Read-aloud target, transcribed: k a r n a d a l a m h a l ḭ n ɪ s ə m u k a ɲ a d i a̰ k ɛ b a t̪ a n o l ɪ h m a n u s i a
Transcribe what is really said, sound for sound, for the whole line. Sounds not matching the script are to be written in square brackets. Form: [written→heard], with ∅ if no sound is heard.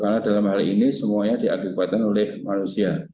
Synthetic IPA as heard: k a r n a d a l a m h a l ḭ n [ɪ→i] s ə m u [k→∅] a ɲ a d i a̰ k [ɛ→i] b a t̪ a n o l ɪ h m a n u s i a

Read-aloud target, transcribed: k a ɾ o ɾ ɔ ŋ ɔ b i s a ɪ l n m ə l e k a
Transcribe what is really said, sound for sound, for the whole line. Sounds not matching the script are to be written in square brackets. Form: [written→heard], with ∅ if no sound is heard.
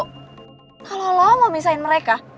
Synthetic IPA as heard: k a [ɾ→l] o [ɾ→l] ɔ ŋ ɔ [b→m] i s a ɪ [l→∅] n m ə [l→ɾ] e k a

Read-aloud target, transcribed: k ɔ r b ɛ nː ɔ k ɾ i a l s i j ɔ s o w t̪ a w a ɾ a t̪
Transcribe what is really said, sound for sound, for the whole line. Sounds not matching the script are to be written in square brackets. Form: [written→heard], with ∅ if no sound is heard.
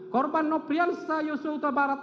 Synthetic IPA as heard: k ɔ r b [ɛ→a] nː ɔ [k→p] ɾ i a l s [i→a] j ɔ s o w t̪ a [w→b] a ɾ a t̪

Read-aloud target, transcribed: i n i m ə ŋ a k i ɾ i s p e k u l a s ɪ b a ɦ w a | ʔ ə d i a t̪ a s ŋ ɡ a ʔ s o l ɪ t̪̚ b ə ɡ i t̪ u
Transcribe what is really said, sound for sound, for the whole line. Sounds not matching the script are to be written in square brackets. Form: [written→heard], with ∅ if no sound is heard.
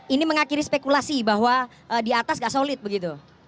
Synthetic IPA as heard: i n i m ə ŋ a k i ɾ i s p e k u l a s [ɪ→i] b a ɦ w a | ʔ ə d i a t̪ a s ŋ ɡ a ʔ s o l ɪ t̪̚ b ə ɡ i t̪ u

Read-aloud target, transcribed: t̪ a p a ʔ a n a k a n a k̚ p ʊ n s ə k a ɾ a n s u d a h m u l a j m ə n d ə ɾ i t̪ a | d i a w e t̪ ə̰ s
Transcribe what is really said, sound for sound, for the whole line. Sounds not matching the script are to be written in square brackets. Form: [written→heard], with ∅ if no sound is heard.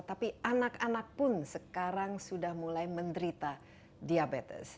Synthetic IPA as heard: t̪ a p [a→i] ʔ a n a k a n a k̚ p ʊ n s ə k a ɾ a [n→ŋ] s u d a h m u l a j m ə n d ə ɾ i t̪ a | d i a [w→b] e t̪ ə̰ s

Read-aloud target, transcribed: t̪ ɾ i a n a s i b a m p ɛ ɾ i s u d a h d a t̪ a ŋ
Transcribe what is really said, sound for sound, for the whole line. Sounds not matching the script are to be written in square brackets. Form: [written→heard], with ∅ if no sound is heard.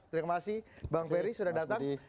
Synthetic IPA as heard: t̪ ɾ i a [n→m] a s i b a [m→ŋ] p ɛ ɾ i s u d a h d a t̪ a ŋ

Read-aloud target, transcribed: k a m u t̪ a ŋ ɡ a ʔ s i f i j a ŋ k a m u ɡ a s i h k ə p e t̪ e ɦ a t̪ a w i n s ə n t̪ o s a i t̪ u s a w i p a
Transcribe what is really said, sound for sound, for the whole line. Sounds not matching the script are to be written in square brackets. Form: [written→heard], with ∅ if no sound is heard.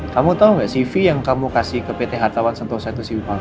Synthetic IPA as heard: k a m u t̪ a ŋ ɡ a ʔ s i f i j a ŋ k a m u [ɡ→k] a s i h k ə p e t̪ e ɦ a t̪ a w [i→a] n s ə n t̪ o s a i t̪ u s [a→i] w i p a

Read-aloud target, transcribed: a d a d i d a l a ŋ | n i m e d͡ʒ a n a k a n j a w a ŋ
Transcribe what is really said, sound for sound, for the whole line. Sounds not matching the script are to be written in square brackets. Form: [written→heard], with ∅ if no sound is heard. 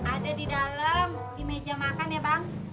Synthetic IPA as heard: a d a d i d a l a [ŋ→m] | [n→d] i m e d͡ʒ a [n→m] a k a n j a [w→b] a ŋ

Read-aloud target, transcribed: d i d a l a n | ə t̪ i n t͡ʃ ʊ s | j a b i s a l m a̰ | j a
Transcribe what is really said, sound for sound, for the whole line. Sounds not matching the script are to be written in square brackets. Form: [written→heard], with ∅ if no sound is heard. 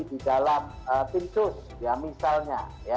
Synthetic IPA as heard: d i d a l a [n→m] | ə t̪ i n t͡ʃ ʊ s | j a [b→m] i s a l [m→ɲ] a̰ | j a

